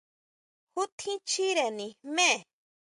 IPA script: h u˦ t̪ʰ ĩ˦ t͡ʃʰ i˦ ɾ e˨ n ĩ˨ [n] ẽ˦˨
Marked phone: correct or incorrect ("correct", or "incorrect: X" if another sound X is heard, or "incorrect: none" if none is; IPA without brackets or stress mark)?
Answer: incorrect: m